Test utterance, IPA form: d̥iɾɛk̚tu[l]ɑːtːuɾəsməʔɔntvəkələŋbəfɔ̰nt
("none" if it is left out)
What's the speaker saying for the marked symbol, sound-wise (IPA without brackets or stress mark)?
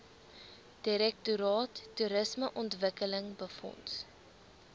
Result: ɾ